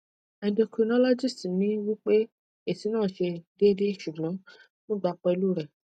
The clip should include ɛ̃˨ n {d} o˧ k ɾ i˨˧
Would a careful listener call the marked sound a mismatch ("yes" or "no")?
no